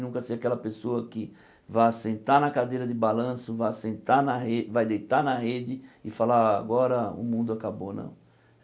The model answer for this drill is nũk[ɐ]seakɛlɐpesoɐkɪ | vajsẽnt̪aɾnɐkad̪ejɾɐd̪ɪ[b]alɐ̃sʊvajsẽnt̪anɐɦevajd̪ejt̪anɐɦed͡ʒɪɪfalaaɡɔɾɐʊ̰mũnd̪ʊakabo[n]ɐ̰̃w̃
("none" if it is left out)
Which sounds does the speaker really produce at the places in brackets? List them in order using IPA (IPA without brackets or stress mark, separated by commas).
ɐ, b, n